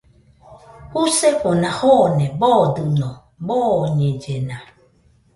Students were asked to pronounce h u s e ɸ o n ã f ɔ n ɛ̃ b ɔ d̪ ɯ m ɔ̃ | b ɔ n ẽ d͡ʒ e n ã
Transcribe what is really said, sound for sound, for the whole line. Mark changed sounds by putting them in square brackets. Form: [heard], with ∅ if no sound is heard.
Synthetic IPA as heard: h u s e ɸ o n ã [h] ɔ n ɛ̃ b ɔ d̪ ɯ [n] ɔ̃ | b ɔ [ɲ] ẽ d͡ʒ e n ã